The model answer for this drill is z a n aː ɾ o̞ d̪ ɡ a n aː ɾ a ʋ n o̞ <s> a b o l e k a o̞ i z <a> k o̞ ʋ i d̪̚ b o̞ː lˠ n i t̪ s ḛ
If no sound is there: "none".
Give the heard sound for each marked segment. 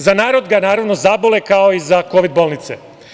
z, a

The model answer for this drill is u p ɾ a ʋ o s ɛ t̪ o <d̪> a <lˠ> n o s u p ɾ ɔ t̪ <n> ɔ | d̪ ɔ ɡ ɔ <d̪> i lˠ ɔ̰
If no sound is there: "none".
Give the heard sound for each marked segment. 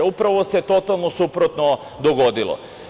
t̪, lˠ, n, d̪

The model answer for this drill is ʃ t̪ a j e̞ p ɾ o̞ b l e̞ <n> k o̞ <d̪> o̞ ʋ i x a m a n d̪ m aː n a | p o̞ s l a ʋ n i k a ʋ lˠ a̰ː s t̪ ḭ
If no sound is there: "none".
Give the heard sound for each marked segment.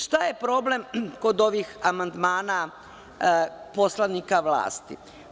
m, d̪

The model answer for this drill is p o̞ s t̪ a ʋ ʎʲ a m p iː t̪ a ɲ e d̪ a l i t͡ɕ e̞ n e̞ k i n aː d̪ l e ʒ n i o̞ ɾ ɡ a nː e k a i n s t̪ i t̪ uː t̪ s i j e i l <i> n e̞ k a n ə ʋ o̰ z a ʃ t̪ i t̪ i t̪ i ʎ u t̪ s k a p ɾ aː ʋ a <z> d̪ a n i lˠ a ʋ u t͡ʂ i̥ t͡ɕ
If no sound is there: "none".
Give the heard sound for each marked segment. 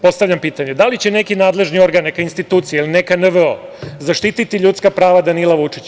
i, none

